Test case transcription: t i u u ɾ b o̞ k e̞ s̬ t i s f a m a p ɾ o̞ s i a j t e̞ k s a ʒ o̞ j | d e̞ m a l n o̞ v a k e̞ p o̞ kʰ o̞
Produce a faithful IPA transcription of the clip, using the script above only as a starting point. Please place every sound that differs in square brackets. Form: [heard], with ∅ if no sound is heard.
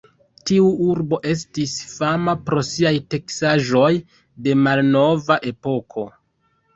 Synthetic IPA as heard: t i u u ɾ b o̞ [ʔ] e̞ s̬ t i s f a m a p ɾ o̞ s i a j t e̞ k s a ʒ o̞ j | d e̞ m a l n o̞ v a [ʔ] e̞ p o̞ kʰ o̞